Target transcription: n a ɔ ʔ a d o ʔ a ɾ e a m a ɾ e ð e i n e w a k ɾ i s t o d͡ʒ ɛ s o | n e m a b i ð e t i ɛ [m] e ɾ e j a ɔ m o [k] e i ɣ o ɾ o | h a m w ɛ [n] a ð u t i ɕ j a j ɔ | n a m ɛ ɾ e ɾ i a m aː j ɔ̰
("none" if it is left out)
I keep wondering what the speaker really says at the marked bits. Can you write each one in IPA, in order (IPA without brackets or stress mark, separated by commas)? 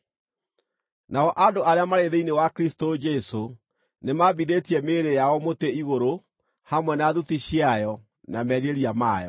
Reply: m, t, n